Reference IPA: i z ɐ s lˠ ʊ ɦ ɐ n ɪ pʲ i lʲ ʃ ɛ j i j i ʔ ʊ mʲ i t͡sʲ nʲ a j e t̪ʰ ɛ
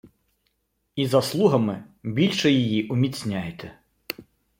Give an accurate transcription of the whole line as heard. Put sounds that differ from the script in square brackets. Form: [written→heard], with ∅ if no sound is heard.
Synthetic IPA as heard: i z ɐ s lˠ [ʊ→u] ɦ ɐ [n→m] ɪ [pʲ→bʲ] i lʲ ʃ ɛ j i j i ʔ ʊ mʲ i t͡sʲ nʲ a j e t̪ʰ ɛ